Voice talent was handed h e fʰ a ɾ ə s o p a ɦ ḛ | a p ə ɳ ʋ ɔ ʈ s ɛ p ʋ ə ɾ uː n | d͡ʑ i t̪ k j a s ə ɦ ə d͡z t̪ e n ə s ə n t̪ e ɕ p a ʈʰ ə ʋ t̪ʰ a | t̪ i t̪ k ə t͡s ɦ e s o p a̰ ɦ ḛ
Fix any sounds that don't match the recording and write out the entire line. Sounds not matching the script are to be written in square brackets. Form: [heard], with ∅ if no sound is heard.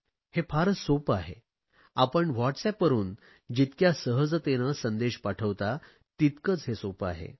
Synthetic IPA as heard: h e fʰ a ɾ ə s o p a ɦ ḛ | a p ə ɳ ʋ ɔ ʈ s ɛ p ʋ ə ɾ uː n | d͡ʑ i t̪ k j a s ə ɦ ə d͡z t̪ e n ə s ə n [d̪] e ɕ p a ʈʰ ə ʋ [t̪] a | t̪ i t̪ k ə t͡s ɦ e s o p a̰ ɦ ḛ

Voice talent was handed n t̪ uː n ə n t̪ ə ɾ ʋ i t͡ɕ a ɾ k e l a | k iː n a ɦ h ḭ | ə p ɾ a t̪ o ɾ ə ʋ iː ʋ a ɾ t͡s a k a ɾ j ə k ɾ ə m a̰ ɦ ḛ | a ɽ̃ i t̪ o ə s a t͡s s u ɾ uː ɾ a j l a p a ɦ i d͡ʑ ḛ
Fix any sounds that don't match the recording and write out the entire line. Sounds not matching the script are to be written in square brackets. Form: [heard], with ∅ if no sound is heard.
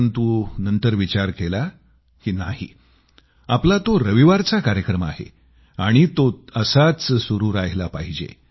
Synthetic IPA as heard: n t̪ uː n ə n t̪ ə ɾ ʋ i t͡ɕ a ɾ k e l a | k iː n a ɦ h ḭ | [a] p [l] a t̪ o ɾ ə ʋ [i] ʋ a ɾ t͡s a k a ɾ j ə k ɾ ə m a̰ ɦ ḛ | a ɽ̃ i t̪ o ə s a t͡s s u ɾ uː ɾ a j l a p a ɦ i d͡ʑ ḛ

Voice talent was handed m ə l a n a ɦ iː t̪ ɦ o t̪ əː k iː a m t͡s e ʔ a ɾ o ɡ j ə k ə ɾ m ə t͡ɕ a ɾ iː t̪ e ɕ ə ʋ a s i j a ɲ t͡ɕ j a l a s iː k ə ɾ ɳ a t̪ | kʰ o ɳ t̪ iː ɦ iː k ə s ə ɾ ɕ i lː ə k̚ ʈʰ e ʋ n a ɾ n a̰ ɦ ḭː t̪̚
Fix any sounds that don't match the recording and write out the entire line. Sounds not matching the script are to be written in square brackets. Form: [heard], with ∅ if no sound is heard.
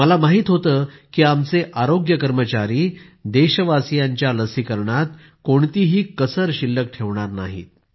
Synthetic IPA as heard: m ə l a [m] a ɦ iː t̪ ɦ o t̪ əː k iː a m t͡s e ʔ a ɾ o ɡ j ə k ə ɾ m ə t͡ɕ a ɾ iː [d̪] e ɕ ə ʋ a s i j a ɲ t͡ɕ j a l [ə] s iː k ə ɾ ɳ a t̪ | [k] o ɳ t̪ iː ɦ iː k ə s ə ɾ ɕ i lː ə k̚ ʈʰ e ʋ [ɳ] a ɾ n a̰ ɦ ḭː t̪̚

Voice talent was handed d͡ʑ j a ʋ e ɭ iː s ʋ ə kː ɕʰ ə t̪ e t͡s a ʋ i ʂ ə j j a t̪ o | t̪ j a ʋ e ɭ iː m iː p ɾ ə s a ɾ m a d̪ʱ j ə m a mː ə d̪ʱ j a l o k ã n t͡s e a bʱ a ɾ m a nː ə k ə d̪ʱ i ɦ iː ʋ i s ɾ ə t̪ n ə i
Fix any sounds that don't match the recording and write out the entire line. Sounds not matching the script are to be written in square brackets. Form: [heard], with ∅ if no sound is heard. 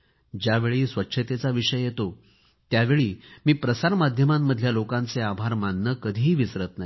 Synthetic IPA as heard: d͡ʑ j a ʋ e ɭ iː s ʋ ə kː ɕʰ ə t̪ e t͡s a ʋ i ʂ ə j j [e] t̪ o | t̪ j a ʋ e ɭ iː m iː p ɾ ə s a ɾ m a d̪ʱ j ə m a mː ə d̪ʱ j a l o k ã n t͡s e a bʱ a ɾ m a nː ə k ə d̪ʱ i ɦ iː ʋ i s ɾ ə t̪ n [a] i

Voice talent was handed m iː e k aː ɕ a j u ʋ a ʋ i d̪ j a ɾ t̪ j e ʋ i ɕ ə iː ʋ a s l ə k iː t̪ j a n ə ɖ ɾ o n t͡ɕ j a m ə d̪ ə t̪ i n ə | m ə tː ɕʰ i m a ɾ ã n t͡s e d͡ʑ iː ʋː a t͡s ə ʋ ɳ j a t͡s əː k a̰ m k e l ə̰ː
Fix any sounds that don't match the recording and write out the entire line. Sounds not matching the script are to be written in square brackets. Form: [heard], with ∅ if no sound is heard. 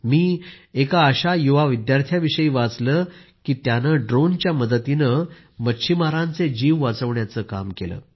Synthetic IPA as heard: m iː e k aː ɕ a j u ʋ a ʋ i d̪ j a ɾ [t̪ʰ] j [a] ʋ i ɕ ə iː ʋ a [t͡s] l ə k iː t̪ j a n ə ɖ ɾ o n t͡ɕ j a m ə d̪ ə t̪ i n ə | m ə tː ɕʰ i m a ɾ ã n t͡s e d͡ʑ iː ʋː a t͡s ə ʋ ɳ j a t͡s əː k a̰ m k e l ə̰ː

